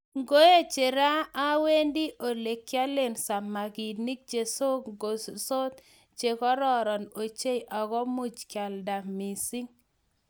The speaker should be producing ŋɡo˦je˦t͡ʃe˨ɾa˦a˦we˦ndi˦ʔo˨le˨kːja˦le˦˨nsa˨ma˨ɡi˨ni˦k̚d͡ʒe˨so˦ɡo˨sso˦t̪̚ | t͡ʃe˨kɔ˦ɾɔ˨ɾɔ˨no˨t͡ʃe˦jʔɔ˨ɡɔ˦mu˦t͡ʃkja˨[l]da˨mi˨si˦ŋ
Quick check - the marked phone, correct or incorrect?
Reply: correct